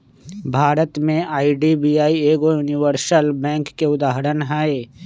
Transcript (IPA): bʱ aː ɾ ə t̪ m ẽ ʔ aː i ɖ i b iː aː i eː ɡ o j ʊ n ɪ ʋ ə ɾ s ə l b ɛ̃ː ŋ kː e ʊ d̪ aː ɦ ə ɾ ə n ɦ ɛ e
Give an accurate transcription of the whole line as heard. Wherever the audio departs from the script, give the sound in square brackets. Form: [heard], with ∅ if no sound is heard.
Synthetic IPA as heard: bʱ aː ɾ ə t̪ m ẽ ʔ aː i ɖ i b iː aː i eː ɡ o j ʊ n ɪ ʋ ə ɾ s ə l b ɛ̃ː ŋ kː e ʊ d̪ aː ɦ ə ɾ ə n ɦ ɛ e

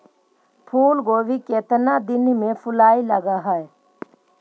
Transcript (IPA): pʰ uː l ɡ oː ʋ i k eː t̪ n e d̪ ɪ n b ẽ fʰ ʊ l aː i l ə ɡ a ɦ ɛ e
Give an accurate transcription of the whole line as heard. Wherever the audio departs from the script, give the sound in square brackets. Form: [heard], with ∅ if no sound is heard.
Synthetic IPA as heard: pʰ uː l ɡ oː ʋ i k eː t̪ n [a] d̪ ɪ n [m] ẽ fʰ ʊ l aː i l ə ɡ a ɦ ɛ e

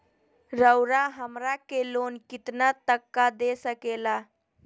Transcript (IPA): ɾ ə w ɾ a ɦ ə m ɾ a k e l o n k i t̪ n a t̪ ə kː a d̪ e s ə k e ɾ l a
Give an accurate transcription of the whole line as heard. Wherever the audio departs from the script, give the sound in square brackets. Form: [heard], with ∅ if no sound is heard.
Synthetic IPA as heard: ɾ ə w ɾ a ɦ ə m ɾ a k e l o n k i t̪ n a t̪ ə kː a d̪ e s ə k e [∅] l a

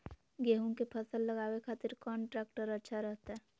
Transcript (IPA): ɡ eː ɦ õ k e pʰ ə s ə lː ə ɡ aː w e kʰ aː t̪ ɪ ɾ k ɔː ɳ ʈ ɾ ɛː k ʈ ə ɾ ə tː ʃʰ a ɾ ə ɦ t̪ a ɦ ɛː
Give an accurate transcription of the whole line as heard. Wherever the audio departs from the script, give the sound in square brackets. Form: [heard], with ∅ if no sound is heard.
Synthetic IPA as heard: ɡ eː ɦ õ k e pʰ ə s ə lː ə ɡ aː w e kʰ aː t̪ ɪ ɾ k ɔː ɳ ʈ ɾ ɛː k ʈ ə ɾ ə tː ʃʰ a ɾ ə ɦ t̪ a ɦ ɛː

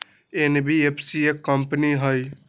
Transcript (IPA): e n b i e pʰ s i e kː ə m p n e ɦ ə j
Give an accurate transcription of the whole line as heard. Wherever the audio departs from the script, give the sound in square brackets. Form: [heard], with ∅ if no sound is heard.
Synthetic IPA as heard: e n b i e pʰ s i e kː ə m p n [i] ɦ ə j

